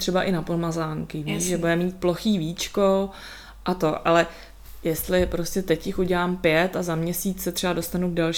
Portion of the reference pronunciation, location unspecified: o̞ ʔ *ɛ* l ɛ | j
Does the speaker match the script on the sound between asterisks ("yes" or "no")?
no